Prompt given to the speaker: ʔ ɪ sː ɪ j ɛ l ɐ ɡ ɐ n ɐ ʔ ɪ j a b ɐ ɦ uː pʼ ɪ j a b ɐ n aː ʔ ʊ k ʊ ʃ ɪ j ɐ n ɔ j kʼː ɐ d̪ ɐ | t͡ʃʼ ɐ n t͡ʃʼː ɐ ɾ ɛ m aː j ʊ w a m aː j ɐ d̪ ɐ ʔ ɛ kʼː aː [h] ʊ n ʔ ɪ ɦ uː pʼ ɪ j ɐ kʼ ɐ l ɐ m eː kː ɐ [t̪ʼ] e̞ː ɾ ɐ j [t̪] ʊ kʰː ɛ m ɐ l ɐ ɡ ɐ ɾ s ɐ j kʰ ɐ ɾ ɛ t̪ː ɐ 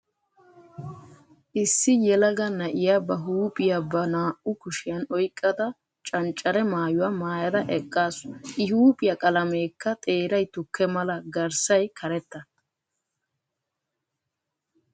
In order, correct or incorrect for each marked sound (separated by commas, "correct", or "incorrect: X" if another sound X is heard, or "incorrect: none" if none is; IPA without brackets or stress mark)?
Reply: incorrect: s, correct, correct